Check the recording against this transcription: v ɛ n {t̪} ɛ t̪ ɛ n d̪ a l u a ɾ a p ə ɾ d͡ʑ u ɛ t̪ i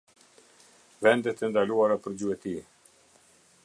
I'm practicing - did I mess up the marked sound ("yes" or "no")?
yes